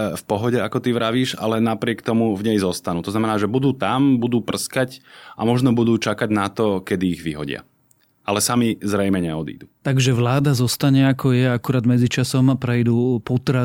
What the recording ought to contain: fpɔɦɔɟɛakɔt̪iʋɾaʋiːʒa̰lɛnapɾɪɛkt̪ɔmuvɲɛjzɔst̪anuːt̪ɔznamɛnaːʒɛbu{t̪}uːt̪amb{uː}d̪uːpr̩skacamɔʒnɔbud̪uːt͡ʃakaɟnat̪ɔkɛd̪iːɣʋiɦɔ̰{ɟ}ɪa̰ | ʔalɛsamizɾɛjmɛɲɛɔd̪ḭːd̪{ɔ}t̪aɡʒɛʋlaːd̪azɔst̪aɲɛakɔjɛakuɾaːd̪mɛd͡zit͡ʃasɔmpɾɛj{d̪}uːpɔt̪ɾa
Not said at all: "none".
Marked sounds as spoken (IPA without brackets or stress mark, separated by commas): d̪, u, ɟ, u, d̪